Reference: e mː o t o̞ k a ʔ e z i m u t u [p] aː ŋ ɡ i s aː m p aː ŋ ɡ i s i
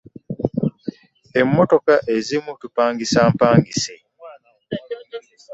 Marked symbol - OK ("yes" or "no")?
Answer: yes